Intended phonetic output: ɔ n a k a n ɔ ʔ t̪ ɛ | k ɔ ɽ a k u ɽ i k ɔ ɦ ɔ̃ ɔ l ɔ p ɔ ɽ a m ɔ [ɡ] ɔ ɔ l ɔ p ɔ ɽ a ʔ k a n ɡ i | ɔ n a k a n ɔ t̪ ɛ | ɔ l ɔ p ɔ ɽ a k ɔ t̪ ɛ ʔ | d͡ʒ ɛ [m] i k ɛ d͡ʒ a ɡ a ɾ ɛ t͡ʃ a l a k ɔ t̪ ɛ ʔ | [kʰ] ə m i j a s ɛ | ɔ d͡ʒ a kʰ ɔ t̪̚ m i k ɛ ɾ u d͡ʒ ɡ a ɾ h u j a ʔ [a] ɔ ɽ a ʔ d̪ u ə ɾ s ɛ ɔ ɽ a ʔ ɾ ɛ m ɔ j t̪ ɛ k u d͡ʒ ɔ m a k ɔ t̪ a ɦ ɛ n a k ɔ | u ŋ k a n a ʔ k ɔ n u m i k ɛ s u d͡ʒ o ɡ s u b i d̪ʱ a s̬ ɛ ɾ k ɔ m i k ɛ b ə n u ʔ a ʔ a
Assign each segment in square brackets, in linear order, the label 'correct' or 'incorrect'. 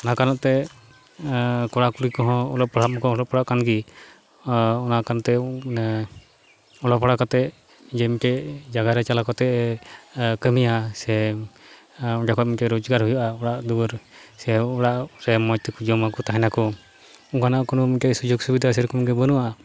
incorrect: k, correct, incorrect: k, correct

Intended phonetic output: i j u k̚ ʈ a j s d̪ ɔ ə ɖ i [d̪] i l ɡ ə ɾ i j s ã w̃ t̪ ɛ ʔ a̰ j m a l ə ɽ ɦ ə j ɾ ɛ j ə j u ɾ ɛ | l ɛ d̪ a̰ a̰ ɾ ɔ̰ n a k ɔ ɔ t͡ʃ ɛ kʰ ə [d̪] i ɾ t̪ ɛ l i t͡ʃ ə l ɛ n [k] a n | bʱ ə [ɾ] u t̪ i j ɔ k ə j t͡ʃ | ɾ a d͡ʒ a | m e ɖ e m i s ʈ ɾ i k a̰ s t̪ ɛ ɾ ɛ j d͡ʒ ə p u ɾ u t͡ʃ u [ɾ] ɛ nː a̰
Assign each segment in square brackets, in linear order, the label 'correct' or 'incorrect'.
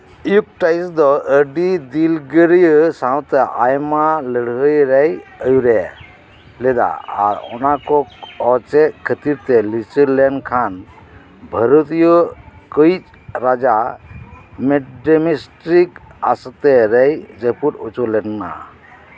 correct, incorrect: t̪, incorrect: kʰ, correct, incorrect: l

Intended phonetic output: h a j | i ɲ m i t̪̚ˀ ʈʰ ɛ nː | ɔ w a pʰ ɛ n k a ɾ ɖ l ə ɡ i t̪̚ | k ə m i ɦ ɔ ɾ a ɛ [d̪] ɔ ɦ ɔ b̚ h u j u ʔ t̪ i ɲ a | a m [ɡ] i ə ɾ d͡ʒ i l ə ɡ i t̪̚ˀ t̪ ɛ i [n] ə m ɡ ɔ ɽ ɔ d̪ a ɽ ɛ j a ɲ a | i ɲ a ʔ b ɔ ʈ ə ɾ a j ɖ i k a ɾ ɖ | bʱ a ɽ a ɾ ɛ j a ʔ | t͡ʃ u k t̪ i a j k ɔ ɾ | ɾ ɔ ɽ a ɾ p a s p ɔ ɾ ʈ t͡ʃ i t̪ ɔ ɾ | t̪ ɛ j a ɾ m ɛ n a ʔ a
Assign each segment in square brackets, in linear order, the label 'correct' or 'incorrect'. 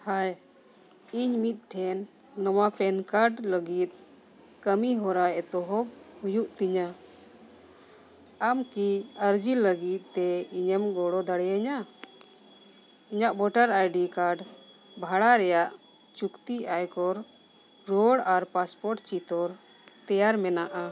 incorrect: t̪, incorrect: k, incorrect: ɲ

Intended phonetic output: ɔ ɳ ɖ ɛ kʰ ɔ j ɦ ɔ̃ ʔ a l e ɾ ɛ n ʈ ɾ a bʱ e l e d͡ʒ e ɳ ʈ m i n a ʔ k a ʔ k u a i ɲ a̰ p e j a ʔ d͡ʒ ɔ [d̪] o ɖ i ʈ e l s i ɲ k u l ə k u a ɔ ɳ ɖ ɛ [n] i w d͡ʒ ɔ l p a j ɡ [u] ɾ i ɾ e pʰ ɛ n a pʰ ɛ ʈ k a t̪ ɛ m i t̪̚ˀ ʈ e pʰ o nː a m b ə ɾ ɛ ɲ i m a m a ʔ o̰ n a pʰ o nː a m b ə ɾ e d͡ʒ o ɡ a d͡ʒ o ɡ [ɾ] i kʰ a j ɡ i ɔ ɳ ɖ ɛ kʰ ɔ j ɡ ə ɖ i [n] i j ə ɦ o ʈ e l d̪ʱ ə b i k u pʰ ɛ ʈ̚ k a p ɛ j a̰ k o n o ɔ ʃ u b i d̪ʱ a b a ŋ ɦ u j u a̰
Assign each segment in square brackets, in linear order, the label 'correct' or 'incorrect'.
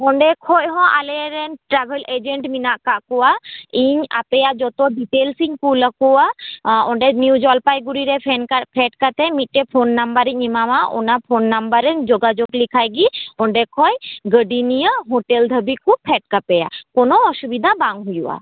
incorrect: t̪, correct, correct, incorrect: l, correct

